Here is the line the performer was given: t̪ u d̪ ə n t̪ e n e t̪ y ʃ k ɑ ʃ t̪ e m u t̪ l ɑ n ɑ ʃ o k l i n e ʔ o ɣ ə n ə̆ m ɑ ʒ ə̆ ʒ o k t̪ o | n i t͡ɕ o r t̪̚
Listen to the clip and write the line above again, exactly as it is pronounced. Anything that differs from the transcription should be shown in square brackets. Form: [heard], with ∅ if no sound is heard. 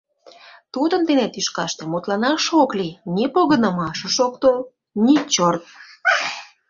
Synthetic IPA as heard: t̪ u d̪ ə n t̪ e n e t̪ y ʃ k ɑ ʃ t̪ e m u t̪ l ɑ n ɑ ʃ o k l i n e [p] o ɣ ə n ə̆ m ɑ [ʃ] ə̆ [ʃ] o k t̪ o | n i t͡ɕ o r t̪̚

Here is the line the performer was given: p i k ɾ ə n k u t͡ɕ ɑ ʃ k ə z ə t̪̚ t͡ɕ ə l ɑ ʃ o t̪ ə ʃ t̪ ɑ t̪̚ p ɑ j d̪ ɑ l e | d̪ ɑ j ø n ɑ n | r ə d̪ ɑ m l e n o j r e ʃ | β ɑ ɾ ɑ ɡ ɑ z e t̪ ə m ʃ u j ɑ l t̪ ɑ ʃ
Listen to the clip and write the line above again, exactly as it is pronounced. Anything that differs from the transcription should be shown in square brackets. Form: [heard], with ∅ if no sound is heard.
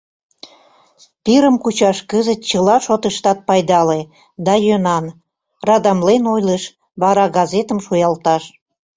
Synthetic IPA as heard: p i [∅] ɾ ə [m] k u t͡ɕ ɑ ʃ k ə z ə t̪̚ t͡ɕ ə l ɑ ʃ o t̪ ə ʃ t̪ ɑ t̪̚ p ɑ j d̪ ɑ l e | d̪ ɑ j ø n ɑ n | r [ɑ] d̪ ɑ m l e n o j [l] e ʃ | β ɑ ɾ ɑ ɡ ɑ z e t̪ ə m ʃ u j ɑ l t̪ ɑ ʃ

